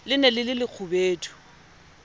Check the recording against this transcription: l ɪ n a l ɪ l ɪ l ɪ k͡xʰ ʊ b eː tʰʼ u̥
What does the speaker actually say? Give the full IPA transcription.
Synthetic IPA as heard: l ɪ n ɛ l ɪ l ɪ l ɪ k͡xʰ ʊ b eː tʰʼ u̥

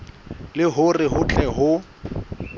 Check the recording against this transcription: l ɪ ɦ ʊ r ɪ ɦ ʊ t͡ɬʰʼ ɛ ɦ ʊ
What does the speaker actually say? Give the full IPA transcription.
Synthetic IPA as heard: l ɪ ɦ ʊ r ɪ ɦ ʊ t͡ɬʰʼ ɛ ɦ ʊ

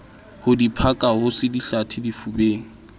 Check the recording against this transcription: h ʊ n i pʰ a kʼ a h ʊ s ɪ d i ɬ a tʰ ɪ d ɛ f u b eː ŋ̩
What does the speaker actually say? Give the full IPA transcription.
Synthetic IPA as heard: h ʊ d i pʰ a kʼ a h ʊ s ɪ d i ɬ a tʰ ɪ d i f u b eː ŋ̩

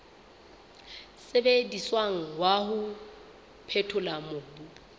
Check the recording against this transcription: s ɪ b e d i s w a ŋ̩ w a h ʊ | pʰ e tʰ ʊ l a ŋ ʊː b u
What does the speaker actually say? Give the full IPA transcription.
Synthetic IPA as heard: s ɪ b e d i s w a ŋ̩ w a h ʊ | pʰ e tʰ ʊ l a m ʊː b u

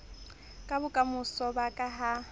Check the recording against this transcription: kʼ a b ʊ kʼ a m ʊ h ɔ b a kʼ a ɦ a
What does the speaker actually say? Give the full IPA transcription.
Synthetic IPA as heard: kʼ a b ʊ kʼ a m ʊ s ɔ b a kʼ a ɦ a

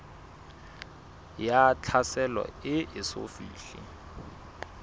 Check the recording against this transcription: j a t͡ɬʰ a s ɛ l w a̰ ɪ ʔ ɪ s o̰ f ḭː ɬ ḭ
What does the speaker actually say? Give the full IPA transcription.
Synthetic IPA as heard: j a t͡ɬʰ a s ɛ l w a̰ ɪ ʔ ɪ s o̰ f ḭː ɬ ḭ

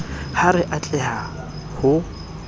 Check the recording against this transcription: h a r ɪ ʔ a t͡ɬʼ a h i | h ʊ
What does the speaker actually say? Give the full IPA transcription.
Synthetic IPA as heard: h a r ɪ ʔ a t͡ɬʼ ɛ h a | h ʊ

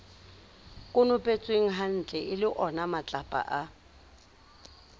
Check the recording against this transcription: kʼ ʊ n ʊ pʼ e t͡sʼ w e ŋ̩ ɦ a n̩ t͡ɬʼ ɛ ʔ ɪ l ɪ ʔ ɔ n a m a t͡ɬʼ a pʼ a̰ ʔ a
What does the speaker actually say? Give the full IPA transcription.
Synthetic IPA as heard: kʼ ʊ n ʊ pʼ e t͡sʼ w e ŋ̩ ɦ a n̩ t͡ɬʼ ɛ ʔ ɪ l ɪ ʔ ɔ n a m a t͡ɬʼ a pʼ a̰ ʔ a

